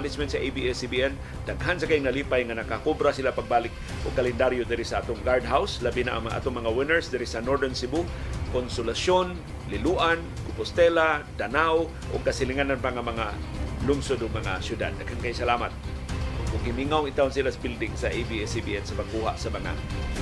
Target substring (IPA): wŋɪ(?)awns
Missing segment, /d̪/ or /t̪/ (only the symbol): t̪